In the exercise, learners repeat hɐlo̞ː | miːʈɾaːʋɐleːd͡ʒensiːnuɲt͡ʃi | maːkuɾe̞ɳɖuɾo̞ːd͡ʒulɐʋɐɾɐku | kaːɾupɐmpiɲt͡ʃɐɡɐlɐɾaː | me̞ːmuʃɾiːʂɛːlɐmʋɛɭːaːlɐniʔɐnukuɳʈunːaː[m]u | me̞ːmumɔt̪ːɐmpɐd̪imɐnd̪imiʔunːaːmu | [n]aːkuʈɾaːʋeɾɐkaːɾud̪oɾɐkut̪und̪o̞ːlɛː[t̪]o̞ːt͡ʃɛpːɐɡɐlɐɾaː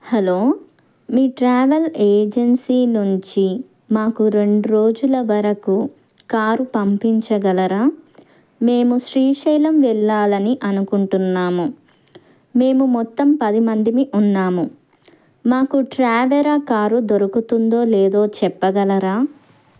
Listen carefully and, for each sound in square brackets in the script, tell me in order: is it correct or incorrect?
correct, incorrect, incorrect

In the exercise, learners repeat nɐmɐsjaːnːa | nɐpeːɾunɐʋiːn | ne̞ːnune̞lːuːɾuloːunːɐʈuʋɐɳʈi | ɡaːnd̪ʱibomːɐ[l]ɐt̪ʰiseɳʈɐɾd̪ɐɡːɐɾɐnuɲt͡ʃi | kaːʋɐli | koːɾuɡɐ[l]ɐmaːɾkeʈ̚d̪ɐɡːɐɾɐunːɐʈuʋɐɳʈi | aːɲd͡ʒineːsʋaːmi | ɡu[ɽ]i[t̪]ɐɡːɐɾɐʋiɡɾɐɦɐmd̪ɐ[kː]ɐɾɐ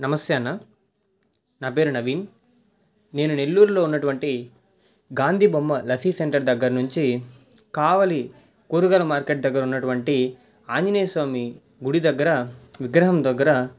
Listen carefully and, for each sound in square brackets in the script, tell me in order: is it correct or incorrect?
correct, correct, correct, incorrect, incorrect

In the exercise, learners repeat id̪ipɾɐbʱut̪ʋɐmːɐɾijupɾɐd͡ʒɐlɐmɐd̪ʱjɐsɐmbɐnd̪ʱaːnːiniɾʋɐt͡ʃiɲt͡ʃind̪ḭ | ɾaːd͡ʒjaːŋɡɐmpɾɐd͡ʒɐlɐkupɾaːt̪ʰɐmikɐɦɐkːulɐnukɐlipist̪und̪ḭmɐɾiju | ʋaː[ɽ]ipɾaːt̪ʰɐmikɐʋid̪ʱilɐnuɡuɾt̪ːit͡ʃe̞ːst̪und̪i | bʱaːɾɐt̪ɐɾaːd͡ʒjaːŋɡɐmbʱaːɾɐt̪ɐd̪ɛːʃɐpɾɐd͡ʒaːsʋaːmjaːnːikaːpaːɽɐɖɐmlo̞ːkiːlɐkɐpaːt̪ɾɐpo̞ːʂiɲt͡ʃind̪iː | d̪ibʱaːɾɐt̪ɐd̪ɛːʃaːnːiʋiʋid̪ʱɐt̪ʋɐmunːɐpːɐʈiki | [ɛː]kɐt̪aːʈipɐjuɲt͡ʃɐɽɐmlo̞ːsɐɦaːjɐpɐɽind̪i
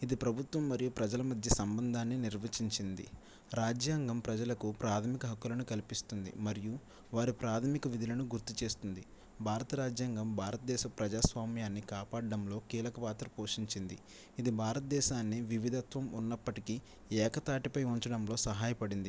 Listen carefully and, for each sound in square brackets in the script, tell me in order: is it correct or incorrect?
incorrect, correct

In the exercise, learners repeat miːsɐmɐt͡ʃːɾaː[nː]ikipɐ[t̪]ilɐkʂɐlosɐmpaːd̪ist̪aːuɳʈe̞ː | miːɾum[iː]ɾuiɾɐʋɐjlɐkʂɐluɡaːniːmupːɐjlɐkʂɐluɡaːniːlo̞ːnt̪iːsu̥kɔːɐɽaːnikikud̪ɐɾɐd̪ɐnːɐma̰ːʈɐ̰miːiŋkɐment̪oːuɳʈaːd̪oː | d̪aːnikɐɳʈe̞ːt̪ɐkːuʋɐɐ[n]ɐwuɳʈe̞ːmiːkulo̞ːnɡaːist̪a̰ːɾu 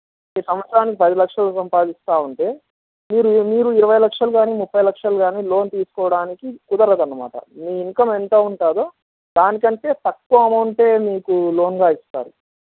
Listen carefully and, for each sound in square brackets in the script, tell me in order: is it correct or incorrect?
incorrect, incorrect, correct, incorrect

